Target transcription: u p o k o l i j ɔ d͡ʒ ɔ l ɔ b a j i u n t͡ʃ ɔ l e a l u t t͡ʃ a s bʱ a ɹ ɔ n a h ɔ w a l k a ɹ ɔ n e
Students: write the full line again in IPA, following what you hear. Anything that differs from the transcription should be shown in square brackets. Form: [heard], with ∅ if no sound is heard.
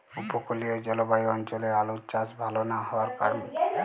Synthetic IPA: u p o k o l i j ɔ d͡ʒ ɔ l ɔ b a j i [ɔ] n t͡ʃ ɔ l e a l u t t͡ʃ a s bʱ a [l] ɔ n a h ɔ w a [ɾ] k a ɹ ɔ n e